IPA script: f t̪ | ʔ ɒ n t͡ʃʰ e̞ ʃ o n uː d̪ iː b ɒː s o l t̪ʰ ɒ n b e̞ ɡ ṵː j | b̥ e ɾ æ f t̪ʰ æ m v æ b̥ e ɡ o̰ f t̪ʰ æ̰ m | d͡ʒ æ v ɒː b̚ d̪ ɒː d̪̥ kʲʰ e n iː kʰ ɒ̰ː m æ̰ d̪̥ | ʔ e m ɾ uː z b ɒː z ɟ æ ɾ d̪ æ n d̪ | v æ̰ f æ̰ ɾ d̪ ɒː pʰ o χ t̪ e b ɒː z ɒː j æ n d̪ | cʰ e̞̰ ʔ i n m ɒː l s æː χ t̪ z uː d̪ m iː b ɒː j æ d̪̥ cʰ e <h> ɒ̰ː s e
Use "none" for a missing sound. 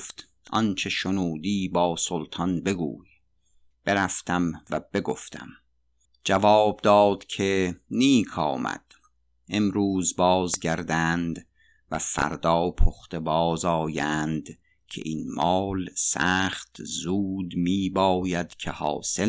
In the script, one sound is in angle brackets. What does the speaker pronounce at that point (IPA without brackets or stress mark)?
h